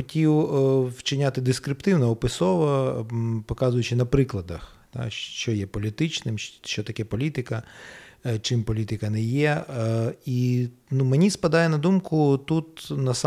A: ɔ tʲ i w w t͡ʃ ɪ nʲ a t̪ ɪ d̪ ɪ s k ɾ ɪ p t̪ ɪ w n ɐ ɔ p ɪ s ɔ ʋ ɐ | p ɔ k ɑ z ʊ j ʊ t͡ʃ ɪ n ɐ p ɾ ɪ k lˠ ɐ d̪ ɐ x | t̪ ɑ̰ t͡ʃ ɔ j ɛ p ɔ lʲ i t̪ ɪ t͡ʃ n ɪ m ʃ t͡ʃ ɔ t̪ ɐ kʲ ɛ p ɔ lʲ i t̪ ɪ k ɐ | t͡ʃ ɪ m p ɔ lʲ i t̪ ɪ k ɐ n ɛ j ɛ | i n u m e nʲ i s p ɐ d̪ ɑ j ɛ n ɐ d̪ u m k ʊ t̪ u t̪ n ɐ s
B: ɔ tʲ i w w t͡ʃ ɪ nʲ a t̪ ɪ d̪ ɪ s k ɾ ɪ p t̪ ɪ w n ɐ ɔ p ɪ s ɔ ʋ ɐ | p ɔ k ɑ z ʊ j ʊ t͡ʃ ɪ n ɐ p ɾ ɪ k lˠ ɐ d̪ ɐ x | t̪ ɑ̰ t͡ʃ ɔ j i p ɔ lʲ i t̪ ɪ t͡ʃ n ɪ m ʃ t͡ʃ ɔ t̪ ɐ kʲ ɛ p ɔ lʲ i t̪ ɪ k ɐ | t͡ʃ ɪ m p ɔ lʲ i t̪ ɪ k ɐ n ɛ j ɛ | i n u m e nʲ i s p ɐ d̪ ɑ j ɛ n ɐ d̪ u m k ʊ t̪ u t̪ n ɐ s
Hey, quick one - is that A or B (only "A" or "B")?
A